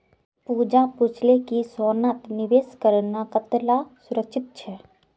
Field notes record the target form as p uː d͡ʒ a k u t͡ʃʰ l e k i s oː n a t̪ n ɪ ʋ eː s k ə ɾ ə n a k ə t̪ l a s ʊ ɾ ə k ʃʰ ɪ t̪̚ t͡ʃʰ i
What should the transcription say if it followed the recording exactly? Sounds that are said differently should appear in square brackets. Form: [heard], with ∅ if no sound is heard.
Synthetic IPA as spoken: p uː d͡ʒ a [p] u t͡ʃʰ l e k i s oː n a t̪ n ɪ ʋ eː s k ə ɾ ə n a k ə t̪ l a s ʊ ɾ ə k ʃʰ ɪ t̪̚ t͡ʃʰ [ɛ]